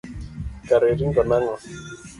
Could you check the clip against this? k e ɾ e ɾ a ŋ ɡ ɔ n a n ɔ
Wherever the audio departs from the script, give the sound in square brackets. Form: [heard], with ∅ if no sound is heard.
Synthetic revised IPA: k [a] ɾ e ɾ [i] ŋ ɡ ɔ n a [ŋ] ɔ